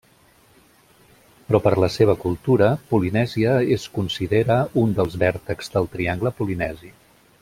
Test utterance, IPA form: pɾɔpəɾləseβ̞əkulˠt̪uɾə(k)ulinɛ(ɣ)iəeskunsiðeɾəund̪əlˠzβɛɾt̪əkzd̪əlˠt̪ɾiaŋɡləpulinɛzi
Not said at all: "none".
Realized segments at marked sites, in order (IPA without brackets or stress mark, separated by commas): p, z